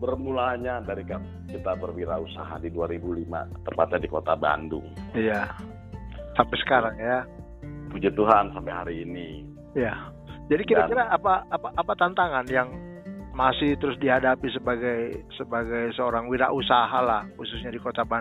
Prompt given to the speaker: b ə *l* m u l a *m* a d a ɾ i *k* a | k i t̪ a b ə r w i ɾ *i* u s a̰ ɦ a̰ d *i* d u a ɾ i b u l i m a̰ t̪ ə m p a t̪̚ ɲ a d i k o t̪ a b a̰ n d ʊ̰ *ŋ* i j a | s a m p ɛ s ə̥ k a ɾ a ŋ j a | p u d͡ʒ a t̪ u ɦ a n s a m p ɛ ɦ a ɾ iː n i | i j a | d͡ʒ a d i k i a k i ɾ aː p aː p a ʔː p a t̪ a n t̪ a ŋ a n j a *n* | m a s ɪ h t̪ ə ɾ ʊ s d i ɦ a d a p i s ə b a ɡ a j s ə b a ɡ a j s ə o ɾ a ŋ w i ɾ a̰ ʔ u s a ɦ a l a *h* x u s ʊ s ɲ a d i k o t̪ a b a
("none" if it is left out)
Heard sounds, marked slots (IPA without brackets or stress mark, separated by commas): r, ɲ, k, a, i, ŋ, ŋ, h